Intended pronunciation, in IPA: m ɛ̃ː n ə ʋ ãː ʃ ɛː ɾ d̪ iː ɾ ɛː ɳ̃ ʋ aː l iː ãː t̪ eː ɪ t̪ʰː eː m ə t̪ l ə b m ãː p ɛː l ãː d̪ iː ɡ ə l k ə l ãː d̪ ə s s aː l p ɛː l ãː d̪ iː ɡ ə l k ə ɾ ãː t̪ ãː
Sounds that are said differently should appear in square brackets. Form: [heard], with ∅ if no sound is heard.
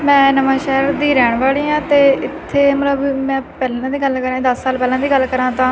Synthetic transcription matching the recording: m ɛ̃ː n ə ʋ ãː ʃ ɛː ɾ d̪ iː ɾ ɛː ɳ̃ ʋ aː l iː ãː t̪ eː ɪ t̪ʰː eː m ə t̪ l ə b m [ɛ̃ː] p ɛː l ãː d̪ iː ɡ ə l k ə [ɾ] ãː d̪ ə s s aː l p ɛː l ãː d̪ iː ɡ ə l k ə ɾ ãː t̪ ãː